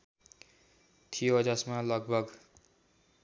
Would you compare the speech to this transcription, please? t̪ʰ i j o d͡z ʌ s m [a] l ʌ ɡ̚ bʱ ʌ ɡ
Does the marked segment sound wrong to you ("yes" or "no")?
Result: no